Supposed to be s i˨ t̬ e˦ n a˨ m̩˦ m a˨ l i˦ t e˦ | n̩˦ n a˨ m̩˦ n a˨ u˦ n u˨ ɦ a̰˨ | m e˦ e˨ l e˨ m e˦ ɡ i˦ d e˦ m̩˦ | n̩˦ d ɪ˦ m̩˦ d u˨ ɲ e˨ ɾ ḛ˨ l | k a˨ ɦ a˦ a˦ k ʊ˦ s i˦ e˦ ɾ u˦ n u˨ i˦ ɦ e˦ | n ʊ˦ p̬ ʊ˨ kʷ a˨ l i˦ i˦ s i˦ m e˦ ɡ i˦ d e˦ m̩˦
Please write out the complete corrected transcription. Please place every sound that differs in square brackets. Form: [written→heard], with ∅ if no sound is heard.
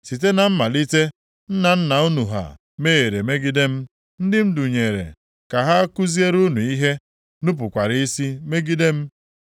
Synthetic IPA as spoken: s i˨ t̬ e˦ n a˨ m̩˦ m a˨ l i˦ t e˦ | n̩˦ n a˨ [m̩˦→n̩˦] n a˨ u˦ n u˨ ɦ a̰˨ | m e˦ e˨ [l→ɾ] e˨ m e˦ ɡ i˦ d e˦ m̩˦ | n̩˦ d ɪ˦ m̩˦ d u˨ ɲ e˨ ɾ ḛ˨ [l→∅] | k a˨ ɦ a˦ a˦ k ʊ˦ [s→z] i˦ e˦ ɾ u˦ n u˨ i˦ ɦ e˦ | n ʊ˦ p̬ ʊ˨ kʷ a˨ [l→ɾ] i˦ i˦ s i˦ m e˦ ɡ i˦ d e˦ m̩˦